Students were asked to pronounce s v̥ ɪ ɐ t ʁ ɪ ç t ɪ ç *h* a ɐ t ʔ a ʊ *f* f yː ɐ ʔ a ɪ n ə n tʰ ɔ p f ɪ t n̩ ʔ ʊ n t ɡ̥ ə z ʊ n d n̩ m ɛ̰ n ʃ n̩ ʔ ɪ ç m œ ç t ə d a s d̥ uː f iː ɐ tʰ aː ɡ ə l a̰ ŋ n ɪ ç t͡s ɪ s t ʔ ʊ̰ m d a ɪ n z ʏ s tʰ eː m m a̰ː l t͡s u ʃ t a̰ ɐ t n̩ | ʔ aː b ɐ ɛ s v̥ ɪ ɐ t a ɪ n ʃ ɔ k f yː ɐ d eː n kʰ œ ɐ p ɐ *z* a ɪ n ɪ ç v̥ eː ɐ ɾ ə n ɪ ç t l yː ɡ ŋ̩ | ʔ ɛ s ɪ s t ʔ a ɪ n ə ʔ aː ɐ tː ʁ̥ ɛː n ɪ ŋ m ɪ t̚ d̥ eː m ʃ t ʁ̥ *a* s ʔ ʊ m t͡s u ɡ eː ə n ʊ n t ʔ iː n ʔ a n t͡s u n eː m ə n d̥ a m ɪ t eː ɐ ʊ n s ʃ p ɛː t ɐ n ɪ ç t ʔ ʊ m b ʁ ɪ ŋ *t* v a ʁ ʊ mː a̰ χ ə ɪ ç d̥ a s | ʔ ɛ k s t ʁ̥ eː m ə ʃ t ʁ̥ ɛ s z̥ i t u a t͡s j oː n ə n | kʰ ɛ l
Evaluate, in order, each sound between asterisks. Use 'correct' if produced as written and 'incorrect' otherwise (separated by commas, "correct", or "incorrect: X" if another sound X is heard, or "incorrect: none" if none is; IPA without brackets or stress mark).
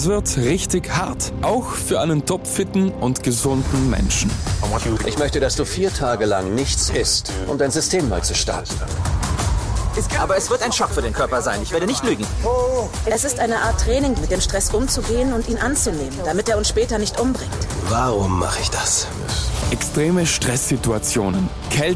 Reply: correct, incorrect: x, correct, incorrect: ɛ, correct